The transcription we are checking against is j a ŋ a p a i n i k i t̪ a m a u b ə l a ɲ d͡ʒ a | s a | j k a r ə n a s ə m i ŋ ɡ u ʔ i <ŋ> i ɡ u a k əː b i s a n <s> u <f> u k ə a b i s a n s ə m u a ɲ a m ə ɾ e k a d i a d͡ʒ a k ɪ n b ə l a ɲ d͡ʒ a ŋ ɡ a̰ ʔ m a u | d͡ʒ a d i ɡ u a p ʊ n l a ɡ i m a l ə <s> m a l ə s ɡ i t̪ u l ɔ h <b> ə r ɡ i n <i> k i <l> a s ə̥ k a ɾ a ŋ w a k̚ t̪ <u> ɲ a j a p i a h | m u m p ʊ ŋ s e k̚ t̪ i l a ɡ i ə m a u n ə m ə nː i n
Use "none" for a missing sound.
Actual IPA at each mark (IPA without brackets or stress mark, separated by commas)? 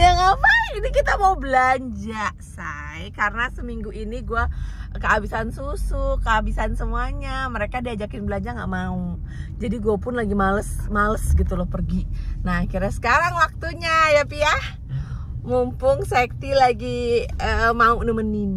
n, s, s, s, p, a, ɾ, u